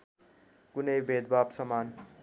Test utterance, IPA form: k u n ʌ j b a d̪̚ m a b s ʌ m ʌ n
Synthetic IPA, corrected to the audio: k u n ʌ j b e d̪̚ b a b s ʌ m a n